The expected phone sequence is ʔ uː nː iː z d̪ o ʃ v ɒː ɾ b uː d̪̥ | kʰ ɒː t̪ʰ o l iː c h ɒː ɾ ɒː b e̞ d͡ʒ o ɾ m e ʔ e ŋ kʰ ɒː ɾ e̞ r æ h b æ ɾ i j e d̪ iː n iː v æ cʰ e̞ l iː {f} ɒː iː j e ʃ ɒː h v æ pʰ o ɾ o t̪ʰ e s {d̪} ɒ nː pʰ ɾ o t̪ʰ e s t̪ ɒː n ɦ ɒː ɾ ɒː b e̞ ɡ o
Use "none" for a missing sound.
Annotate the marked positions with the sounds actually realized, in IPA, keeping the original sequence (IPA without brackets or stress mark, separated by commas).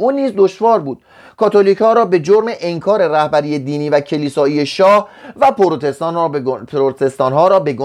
s, t̪